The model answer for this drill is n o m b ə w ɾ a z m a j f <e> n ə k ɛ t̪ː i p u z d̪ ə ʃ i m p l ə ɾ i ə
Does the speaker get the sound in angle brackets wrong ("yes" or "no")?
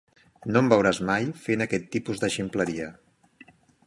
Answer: no